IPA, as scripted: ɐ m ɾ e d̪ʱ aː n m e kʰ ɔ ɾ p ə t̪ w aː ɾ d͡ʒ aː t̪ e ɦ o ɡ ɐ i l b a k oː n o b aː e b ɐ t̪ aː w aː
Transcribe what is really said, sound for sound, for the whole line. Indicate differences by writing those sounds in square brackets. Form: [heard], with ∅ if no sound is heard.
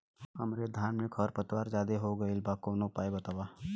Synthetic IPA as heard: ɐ m ɾ e d̪ʱ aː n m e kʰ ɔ ɾ p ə t̪ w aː ɾ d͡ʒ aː [d̪] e ɦ o ɡ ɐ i l b a k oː n o [p] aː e b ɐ t̪ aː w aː